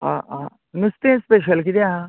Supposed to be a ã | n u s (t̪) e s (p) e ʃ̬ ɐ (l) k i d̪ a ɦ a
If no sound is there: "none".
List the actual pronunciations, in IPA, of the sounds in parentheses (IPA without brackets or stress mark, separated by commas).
t̪, p, l